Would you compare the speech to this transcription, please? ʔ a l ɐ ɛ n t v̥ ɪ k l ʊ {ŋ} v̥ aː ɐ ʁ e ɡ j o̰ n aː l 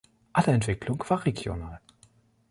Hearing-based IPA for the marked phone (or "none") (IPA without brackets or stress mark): ŋ